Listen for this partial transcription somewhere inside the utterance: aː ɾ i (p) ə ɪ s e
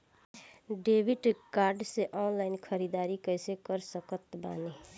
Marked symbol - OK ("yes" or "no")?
no